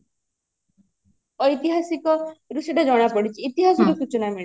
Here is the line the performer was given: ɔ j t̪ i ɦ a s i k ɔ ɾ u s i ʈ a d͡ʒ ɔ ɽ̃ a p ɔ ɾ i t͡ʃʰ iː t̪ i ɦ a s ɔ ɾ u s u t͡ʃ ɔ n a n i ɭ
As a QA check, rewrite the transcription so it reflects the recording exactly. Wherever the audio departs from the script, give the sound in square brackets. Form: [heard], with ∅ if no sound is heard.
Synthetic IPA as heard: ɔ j t̪ i ɦ a s i k ɔ ɾ u s [e] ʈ a d͡ʒ ɔ ɽ̃ a p ɔ [ɽ] i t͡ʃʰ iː t̪ i ɦ a s ɔ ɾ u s u t͡ʃ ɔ n a [m] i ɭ